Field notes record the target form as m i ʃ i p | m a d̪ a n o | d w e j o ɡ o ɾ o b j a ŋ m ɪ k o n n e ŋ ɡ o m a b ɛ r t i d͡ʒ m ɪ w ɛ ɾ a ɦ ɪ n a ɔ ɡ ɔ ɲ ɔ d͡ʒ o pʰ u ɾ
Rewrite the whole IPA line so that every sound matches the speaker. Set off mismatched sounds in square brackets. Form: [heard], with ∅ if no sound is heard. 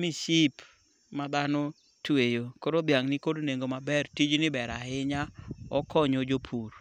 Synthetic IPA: m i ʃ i p | m a d̪ a n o | [t] w e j o [k] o ɾ o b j a ŋ [n] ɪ k o [d] n e ŋ ɡ o m a b ɛ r t i d͡ʒ [n] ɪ [b] ɛ ɾ a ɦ ɪ [ɲ] a ɔ [k] ɔ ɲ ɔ d͡ʒ o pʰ u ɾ